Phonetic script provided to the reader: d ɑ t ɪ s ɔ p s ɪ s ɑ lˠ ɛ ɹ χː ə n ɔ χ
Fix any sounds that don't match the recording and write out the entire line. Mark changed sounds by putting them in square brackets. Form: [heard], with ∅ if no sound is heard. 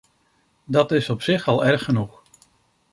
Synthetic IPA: d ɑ t ɪ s ɔ p s ɪ [χ] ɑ lˠ ɛ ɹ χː ə n [u] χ